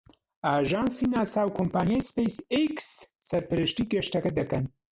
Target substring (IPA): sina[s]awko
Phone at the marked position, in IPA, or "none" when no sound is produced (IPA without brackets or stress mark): s